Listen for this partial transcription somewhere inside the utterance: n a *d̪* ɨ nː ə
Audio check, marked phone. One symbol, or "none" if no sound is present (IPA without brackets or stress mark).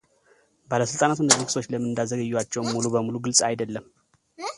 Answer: t̪